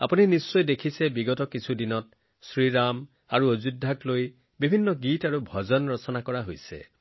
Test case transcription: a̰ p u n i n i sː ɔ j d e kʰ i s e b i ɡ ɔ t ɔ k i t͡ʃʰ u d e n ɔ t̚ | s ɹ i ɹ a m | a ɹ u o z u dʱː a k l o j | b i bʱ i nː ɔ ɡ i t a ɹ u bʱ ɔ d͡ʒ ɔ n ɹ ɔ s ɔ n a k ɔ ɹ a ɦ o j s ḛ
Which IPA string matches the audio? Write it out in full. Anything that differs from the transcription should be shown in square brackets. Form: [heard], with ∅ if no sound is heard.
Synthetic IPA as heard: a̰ p u n i n i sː ɔ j d e kʰ i s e b i ɡ ɔ t ɔ k i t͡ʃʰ u d [i] n ɔ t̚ | s ɹ i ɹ a m | a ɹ u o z u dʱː a k l o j | b i bʱ i nː ɔ ɡ i t a ɹ u bʱ ɔ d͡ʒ ɔ n ɹ ɔ s ɔ n a k ɔ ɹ a ɦ o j s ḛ